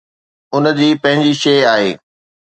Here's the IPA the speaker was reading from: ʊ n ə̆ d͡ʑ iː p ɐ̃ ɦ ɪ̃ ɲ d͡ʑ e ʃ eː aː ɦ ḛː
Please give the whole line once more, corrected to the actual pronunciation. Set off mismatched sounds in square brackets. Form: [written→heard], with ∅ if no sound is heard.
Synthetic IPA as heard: ʊ n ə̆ d͡ʑ iː p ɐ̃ ɦ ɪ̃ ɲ d͡ʑ [e→i] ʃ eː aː ɦ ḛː